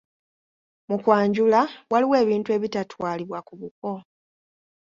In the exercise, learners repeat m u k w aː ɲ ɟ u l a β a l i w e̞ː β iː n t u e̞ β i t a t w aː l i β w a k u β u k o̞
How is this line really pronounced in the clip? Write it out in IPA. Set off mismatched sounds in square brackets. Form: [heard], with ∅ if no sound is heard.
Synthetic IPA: m u k w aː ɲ ɟ u l a [w] a l i w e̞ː β iː n t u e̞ β i t a t w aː l i β w a k u β u k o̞